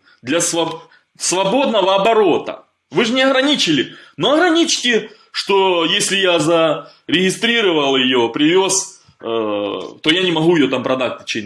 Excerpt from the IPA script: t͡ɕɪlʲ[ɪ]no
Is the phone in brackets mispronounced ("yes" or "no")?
no